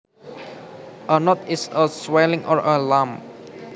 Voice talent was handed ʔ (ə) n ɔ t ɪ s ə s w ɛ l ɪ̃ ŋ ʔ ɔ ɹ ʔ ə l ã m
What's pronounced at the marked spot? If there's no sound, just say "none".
ə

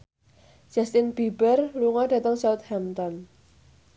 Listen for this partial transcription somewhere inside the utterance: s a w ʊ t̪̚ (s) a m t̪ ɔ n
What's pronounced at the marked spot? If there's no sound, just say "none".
h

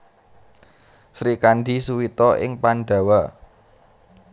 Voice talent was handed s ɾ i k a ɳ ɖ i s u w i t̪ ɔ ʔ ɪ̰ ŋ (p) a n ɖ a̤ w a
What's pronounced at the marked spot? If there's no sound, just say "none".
p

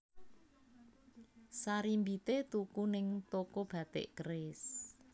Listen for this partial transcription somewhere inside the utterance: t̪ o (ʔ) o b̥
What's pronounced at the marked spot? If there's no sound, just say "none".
k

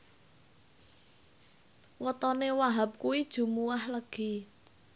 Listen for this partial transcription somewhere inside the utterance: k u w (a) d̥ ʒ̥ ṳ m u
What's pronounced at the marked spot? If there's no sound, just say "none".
i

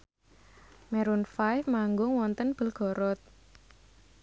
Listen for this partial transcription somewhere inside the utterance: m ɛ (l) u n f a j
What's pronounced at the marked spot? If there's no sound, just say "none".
ɾ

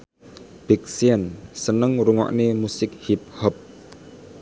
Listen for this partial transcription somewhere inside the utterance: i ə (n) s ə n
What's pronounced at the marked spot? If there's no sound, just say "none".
n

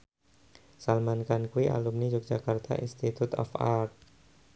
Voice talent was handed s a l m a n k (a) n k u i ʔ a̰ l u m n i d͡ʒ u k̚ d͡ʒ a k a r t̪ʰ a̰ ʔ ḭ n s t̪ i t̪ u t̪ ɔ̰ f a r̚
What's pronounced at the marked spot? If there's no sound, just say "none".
a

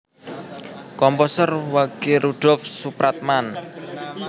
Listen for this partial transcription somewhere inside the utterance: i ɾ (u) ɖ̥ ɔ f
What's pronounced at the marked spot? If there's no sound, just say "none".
u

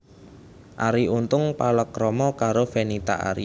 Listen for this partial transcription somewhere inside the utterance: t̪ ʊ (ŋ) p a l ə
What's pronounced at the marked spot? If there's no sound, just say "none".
ŋ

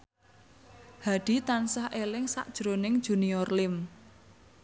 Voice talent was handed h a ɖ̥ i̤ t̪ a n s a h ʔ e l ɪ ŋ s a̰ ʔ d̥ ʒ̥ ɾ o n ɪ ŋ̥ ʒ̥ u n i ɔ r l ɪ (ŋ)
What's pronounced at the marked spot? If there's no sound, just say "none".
m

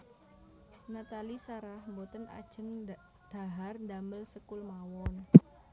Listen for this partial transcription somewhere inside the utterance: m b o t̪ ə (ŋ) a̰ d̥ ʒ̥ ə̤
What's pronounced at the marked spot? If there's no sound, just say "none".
n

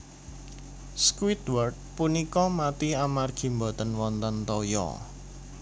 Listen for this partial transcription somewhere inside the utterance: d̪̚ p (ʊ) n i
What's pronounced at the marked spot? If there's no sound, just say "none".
u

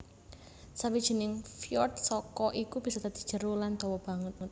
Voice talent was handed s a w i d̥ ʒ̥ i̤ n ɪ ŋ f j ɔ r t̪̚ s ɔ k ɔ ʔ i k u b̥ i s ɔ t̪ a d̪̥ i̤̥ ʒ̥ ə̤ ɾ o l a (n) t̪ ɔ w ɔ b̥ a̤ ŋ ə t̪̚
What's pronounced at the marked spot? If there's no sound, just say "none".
n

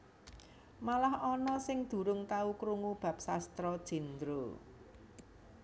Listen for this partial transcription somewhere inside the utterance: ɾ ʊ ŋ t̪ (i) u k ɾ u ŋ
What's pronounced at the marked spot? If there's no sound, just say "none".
a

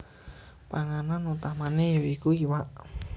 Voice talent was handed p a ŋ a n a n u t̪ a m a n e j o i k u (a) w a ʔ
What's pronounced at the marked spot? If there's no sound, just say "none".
i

